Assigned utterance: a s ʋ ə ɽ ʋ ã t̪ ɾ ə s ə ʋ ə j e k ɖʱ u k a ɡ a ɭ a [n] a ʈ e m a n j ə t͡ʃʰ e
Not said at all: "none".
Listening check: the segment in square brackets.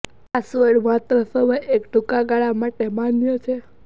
m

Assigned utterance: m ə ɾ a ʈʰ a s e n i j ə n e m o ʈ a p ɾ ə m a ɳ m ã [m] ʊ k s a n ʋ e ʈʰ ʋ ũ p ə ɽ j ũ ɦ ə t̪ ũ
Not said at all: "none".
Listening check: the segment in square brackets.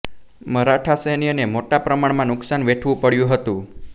n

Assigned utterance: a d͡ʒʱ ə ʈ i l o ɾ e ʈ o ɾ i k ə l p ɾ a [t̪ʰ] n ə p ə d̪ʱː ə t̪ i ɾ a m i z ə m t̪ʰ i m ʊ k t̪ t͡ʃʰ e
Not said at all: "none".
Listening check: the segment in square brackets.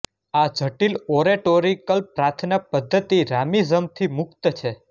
t̪ʰ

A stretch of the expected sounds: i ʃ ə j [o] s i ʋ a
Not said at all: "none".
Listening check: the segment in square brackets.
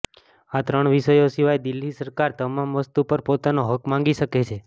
o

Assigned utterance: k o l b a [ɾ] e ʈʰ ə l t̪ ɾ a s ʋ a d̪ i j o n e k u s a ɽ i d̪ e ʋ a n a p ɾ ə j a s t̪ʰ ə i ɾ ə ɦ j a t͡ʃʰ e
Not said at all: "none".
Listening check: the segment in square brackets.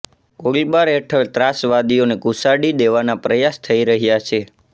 ɾ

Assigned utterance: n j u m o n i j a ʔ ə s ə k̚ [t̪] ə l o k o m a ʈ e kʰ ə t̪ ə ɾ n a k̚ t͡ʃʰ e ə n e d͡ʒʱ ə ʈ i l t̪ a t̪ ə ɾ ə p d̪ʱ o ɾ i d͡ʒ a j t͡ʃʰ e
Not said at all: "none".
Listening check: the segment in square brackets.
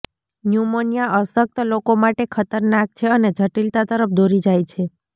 t̪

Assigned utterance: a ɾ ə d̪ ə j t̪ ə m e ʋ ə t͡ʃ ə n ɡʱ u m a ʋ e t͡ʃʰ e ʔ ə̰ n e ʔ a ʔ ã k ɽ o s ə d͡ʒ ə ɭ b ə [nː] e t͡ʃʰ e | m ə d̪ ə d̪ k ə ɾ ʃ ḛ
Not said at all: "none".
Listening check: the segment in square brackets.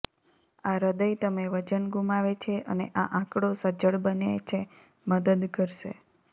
n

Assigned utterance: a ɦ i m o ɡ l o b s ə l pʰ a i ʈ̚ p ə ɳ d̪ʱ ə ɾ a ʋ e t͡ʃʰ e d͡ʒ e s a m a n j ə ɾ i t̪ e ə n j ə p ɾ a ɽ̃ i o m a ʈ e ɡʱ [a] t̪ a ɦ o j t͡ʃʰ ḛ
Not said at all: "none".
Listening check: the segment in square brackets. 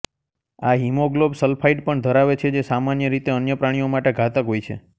a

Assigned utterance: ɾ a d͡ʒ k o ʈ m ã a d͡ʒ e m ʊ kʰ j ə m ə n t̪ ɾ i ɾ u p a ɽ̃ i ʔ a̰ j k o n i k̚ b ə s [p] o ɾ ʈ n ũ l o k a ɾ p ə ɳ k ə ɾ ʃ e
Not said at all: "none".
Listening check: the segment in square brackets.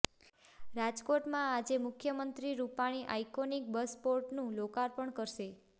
p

